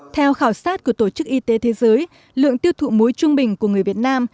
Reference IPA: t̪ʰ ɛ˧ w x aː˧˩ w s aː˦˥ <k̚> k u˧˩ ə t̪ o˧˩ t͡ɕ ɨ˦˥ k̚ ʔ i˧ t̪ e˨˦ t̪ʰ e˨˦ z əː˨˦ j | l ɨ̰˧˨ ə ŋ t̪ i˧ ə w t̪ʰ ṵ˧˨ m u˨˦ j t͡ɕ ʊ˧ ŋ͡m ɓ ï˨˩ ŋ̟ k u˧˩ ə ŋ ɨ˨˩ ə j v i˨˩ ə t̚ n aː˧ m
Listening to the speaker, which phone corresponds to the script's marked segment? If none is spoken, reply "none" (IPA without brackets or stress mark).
t̚